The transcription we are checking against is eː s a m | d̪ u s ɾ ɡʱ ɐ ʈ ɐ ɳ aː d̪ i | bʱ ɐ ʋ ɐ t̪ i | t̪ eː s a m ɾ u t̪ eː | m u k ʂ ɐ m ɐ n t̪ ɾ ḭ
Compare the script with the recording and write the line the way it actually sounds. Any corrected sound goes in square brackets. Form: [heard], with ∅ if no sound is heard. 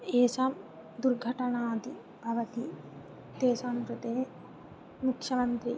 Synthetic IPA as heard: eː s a m | d̪ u [∅] ɾ ɡʱ ɐ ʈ ɐ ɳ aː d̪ i | bʱ ɐ ʋ ɐ t̪ i | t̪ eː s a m ɾ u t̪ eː | m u k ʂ ɐ m ɐ n t̪ ɾ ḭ